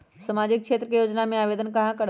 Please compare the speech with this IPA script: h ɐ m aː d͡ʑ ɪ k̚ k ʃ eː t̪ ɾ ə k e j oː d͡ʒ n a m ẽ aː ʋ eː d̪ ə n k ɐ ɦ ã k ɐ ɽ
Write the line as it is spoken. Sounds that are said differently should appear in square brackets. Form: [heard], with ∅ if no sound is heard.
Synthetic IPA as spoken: [s] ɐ m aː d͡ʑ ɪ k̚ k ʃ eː t̪ ɾ ə k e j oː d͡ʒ n a m ẽ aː ʋ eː d̪ ə n k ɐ ɦ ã k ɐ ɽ